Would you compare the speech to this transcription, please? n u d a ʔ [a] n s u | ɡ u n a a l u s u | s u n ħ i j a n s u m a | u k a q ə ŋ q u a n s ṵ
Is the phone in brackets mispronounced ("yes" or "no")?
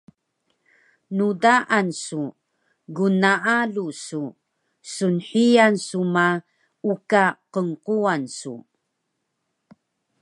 no